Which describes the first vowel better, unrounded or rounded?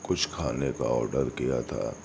rounded